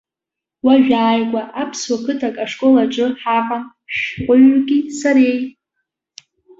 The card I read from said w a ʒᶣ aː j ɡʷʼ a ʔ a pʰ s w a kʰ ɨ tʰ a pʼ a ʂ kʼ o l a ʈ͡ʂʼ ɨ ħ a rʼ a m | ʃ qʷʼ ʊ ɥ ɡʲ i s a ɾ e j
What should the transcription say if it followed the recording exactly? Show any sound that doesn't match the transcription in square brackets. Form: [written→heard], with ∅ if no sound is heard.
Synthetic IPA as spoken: w a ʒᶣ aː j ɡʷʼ a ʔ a pʰ s w a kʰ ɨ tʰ a [pʼ→kʼ] a ʂ kʼ o l a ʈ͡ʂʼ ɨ ħ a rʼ a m | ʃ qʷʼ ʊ ɥ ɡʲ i s a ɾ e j